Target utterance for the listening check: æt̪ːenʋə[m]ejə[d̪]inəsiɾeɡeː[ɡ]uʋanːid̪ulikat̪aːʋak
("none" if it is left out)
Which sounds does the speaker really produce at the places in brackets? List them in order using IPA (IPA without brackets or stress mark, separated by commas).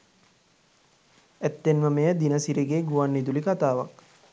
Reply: m, d̪, ɡ